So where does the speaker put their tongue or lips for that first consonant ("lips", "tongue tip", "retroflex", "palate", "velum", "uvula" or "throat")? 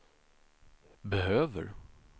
lips